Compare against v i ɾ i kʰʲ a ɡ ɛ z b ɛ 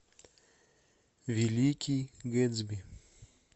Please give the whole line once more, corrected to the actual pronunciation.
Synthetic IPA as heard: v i l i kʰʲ i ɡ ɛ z b i